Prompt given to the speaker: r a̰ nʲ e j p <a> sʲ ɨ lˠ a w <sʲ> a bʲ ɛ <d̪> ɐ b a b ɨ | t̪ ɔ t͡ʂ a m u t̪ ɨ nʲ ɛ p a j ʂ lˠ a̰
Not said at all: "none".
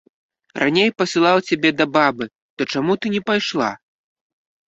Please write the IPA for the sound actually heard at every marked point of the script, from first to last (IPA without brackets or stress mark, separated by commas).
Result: ɐ, t͡sʲ, d̪